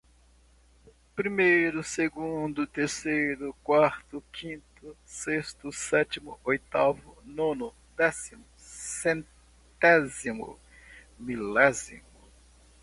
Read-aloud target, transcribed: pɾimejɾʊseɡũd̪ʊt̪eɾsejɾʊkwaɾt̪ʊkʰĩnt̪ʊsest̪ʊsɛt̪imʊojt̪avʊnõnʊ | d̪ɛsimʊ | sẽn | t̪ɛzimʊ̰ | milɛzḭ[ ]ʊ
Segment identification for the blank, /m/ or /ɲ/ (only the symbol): m